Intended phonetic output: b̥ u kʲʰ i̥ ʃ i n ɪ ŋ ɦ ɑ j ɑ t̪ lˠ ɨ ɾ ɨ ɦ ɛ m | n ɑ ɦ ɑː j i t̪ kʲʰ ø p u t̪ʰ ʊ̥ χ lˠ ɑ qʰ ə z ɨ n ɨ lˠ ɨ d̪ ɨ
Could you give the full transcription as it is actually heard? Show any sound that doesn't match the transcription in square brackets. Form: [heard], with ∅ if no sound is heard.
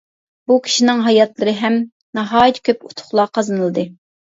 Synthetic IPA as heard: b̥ u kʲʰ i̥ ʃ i n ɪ ŋ ɦ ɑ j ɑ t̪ lˠ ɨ ɾ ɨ ɦ ɛ m | n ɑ ɦ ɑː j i t̪ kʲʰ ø p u t̪ʰ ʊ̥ χ lˠ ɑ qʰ [ɑ] z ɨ n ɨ lˠ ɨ d̪ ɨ